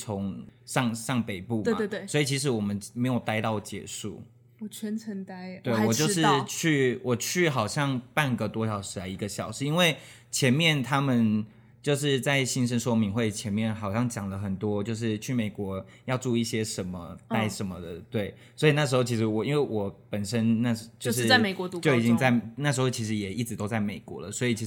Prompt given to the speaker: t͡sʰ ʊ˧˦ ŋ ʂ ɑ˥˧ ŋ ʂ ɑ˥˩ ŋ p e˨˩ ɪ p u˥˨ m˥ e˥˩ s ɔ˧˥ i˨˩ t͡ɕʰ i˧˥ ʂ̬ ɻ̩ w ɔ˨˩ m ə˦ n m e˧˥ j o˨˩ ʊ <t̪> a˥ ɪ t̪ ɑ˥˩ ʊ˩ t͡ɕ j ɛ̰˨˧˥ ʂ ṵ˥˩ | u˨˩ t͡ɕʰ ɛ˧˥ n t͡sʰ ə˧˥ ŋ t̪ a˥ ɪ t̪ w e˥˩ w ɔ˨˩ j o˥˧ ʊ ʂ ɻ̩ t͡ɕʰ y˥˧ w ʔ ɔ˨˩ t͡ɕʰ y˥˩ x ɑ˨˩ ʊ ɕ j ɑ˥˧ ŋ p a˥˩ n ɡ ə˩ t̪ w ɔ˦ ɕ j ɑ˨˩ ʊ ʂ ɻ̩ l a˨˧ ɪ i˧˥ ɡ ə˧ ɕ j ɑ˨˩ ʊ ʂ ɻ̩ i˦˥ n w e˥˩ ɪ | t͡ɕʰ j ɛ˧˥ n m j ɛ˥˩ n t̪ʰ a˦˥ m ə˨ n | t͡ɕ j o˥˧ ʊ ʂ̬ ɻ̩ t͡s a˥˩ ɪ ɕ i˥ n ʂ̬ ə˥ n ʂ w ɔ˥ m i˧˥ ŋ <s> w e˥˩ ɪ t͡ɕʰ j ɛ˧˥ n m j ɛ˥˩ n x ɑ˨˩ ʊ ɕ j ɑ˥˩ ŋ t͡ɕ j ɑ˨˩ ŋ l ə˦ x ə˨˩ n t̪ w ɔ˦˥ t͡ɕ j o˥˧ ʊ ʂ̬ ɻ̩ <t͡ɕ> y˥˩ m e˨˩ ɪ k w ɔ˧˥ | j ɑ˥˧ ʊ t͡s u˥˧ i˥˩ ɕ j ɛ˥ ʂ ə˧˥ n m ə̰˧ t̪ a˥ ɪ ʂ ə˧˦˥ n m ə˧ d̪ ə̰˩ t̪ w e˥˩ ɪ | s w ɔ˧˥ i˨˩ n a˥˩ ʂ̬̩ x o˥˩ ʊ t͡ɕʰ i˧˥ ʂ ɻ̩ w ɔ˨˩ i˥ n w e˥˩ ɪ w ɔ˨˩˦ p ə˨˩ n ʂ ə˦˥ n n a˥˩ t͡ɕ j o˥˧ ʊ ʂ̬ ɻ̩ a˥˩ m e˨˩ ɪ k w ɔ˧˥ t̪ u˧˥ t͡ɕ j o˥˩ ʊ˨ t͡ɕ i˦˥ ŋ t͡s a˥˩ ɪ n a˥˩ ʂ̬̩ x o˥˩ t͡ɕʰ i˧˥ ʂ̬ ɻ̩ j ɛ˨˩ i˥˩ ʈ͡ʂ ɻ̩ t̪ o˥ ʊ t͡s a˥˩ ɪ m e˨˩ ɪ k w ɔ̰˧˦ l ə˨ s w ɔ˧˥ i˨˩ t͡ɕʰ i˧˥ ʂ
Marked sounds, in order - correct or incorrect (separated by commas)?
correct, incorrect, incorrect